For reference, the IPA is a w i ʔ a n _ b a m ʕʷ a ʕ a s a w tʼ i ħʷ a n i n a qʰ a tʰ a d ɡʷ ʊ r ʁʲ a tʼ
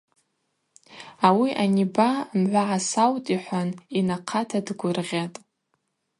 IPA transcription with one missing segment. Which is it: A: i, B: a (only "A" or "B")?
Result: A